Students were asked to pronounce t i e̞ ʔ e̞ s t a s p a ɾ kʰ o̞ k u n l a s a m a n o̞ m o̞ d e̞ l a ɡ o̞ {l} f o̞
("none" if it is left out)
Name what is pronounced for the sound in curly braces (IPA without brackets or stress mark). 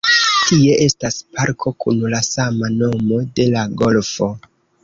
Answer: l